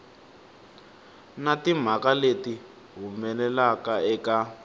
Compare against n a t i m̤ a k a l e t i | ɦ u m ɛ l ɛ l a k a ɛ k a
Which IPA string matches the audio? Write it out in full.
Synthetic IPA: n a t i m̤ a k a l e t i | ɦ u m ɛ l ɛ l a k a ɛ k a